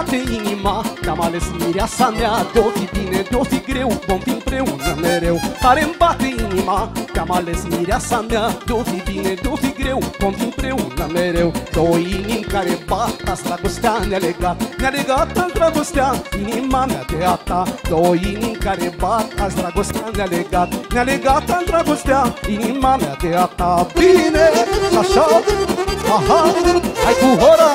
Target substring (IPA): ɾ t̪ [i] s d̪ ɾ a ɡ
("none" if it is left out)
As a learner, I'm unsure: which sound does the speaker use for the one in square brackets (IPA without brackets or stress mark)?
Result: a